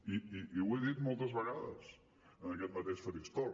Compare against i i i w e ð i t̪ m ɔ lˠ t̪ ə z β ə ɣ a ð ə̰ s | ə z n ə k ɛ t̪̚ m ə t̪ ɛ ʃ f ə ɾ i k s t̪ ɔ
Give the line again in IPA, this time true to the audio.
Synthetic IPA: i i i w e ð i t̪ m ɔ lˠ t̪ ə z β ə ɣ a ð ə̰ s | ə n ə k ɛ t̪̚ m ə t̪ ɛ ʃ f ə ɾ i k s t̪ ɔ